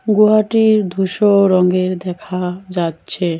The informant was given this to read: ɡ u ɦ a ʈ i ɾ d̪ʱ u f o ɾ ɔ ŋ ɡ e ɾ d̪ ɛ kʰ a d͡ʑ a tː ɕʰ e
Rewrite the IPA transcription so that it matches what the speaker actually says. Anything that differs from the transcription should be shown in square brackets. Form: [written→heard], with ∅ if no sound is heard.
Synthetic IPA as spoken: ɡ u ɦ a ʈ i ɾ d̪ʱ u [f→ʃ] o ɾ ɔ ŋ ɡ e ɾ d̪ ɛ kʰ a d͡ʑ a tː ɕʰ e